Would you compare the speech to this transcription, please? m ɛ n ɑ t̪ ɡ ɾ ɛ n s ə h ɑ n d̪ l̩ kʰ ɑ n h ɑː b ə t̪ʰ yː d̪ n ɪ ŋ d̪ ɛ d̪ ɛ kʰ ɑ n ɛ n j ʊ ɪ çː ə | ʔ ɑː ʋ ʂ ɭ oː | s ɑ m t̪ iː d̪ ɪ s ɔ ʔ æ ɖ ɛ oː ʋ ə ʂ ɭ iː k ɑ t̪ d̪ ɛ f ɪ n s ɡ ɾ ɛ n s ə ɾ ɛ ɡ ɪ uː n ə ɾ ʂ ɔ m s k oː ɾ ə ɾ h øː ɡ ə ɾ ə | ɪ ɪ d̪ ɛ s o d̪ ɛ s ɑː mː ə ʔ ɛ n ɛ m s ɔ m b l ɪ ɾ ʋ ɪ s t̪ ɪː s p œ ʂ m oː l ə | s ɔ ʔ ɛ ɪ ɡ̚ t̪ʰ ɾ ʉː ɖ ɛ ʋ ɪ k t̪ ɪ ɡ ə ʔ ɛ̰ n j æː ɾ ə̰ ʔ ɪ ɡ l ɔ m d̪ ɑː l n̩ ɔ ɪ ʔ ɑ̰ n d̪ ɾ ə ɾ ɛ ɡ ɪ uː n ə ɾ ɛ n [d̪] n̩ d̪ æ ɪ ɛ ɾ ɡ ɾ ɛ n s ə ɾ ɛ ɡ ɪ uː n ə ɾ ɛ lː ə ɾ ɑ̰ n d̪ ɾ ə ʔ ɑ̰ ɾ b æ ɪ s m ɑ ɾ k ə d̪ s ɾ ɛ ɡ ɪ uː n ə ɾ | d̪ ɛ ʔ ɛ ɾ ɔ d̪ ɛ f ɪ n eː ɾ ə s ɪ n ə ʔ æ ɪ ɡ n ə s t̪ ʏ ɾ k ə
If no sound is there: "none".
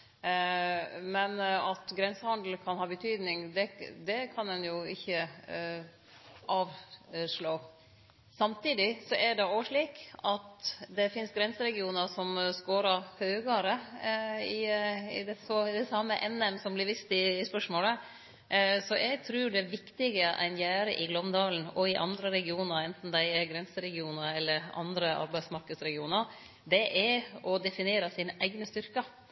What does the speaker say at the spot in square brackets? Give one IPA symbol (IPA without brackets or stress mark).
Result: t̪